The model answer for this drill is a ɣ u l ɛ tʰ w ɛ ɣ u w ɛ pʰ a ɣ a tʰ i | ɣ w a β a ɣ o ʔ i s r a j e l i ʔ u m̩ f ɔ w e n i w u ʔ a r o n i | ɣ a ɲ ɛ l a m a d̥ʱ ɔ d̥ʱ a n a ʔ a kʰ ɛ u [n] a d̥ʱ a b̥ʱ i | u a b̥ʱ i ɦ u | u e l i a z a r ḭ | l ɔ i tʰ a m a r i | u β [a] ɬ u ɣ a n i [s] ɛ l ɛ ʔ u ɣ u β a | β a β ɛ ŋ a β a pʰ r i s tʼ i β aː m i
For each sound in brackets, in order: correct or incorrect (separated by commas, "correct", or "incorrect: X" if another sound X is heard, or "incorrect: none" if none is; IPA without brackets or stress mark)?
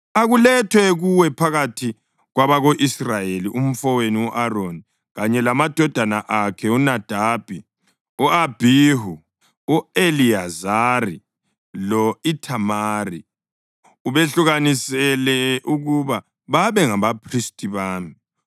correct, incorrect: e, correct